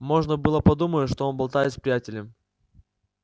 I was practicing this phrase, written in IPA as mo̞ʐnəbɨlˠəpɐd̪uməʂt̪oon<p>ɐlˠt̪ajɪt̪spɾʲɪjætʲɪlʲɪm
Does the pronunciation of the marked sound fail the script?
yes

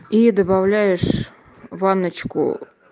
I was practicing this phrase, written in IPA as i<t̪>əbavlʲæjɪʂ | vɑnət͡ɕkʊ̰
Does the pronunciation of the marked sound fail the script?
yes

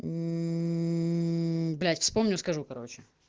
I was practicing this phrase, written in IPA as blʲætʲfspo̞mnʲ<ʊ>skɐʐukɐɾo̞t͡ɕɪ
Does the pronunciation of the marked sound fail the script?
no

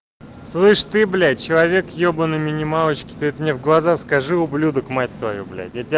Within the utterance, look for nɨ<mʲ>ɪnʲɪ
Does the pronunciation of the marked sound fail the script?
no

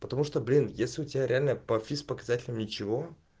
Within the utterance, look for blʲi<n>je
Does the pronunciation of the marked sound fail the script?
no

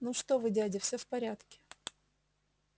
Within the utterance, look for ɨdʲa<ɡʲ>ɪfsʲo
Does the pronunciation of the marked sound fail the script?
yes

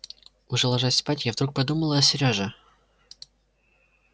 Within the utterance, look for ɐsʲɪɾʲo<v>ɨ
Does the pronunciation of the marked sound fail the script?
yes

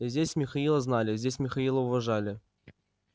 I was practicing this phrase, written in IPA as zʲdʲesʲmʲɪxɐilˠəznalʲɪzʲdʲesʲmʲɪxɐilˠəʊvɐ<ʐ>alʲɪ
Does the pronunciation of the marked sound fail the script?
no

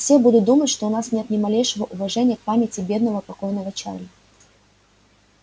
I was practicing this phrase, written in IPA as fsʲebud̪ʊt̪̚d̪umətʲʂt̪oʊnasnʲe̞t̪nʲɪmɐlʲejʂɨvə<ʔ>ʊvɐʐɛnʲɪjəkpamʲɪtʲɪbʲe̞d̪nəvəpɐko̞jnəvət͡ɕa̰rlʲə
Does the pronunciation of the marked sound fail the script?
no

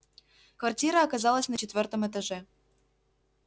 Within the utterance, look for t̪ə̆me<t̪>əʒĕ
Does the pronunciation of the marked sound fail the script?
no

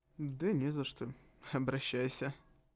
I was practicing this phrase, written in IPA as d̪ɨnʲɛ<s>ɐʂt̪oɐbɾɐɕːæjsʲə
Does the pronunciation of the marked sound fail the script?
yes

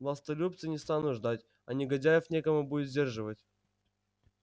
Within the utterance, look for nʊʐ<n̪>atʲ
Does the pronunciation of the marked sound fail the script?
yes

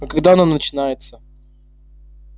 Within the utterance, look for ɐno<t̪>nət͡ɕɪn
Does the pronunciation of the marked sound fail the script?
yes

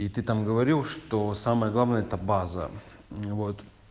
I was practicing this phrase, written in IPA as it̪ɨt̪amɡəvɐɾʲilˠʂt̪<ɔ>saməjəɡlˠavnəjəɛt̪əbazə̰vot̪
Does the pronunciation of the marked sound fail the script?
yes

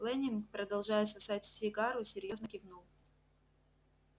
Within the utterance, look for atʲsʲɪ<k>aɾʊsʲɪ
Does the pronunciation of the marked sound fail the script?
yes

